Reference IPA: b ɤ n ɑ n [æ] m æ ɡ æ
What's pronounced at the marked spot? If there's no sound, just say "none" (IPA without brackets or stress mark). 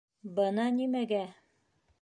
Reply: i